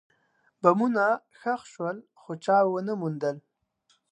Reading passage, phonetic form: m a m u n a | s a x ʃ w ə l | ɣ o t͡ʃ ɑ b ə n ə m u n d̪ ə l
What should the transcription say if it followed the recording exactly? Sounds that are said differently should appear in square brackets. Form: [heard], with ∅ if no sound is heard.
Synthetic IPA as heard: [b] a m u n a | [x] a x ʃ w ə l | [x] o t͡ʃ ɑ [w] ə n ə m u n d̪ ə l